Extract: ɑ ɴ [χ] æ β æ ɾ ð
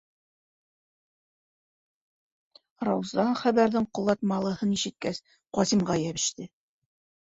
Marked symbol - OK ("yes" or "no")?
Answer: yes